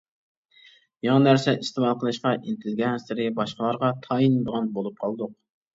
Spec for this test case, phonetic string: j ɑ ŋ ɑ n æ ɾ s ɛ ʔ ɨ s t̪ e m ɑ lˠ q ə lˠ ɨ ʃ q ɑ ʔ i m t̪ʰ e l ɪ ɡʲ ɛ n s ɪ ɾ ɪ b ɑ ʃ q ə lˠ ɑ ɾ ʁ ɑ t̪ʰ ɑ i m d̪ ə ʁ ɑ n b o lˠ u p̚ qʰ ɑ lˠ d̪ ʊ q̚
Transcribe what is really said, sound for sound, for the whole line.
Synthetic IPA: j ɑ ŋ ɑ n æ ɾ s ɛ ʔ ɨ s t̪ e m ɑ lˠ q ə lˠ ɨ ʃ q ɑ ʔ i n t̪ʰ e l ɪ ɡʲ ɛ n s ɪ ɾ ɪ b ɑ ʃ q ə lˠ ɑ ɾ ʁ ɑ t̪ʰ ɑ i n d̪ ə ʁ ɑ n b o lˠ u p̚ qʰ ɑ lˠ d̪ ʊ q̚